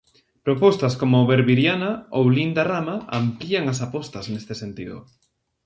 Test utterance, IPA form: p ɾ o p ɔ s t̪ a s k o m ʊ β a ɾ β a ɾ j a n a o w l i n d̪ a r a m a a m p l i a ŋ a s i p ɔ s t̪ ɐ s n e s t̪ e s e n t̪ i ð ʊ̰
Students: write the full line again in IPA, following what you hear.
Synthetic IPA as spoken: p ɾ o p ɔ s t̪ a s k o m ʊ β e ɾ β i ɾ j a n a o w l i n d̪ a r a m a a m p l i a ŋ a s a p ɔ s t̪ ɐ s n e s t̪ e s e n t̪ i ð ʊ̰